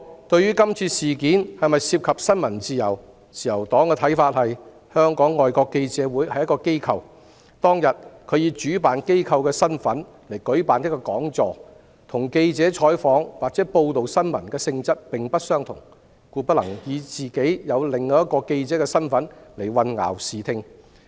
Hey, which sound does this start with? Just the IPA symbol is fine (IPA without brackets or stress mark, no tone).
t̪